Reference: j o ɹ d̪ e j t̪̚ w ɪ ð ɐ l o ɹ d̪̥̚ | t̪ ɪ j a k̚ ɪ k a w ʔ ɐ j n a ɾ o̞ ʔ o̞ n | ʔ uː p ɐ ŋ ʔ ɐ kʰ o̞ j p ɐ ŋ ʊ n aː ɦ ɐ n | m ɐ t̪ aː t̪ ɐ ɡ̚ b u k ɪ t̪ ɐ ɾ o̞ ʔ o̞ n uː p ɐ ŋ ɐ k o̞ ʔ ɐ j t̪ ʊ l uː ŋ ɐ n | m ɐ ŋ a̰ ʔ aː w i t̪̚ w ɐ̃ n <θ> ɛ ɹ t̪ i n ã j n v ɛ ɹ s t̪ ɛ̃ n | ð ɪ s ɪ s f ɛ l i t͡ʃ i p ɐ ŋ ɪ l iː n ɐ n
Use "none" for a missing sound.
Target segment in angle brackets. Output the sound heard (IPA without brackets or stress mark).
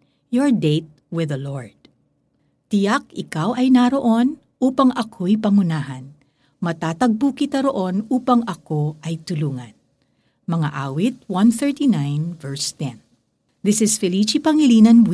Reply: θ